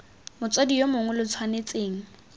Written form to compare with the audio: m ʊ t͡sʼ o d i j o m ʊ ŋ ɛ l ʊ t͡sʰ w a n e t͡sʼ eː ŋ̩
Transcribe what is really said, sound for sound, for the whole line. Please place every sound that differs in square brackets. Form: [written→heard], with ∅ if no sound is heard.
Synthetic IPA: m ʊ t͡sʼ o d i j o m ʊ ŋ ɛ l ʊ t͡sʰ w a n e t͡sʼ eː ŋ̩

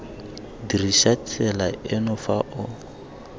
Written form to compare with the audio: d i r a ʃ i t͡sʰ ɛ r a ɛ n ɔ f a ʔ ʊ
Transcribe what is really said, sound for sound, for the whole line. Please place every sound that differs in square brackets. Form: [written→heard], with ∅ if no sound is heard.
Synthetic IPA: d i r [a→i] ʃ [i→a] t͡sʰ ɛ [r→l] a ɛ n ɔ f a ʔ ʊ

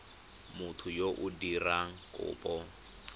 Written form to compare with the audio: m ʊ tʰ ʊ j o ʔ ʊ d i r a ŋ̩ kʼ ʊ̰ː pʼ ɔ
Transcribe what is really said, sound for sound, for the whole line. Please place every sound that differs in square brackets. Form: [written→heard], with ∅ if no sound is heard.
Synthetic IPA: m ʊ tʰ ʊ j o ʔ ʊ d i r a ŋ̩ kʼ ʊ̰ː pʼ ɔ

